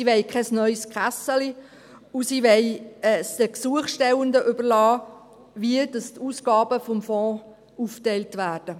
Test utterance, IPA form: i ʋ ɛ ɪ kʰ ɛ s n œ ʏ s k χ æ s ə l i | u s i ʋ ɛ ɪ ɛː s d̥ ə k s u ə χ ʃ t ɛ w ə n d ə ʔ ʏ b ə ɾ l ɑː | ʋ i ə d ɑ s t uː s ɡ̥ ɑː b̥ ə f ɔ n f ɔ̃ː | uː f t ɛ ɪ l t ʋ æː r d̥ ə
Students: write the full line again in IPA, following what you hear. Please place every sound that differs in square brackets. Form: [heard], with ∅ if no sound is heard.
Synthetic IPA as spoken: i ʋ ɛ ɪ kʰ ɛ s n œ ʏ s k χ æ s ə l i | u s i ʋ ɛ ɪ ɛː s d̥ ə k s u ə χ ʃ t ɛ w ə n d ə ʔ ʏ b ə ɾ l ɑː | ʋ i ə d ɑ s t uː s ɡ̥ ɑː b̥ ə f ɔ [m] f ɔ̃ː | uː f t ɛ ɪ l t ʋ æː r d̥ ə